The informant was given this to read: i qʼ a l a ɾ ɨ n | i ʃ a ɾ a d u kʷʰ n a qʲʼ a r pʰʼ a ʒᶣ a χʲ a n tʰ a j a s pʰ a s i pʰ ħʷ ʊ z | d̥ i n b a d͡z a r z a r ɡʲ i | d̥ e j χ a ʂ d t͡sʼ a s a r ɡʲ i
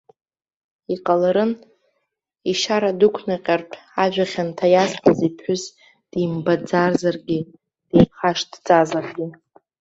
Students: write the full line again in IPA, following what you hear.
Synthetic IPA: i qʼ a l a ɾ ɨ n | i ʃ a ɾ a d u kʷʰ n a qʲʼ a r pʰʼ a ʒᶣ a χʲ a n tʰ a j a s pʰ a z i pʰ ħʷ ʊ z | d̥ i m b a d͡z a r z a r ɡʲ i | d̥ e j χ a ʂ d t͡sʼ a z a r ɡʲ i